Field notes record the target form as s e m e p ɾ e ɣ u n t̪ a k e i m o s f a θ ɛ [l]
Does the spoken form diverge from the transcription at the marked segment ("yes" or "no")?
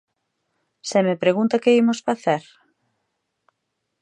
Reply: yes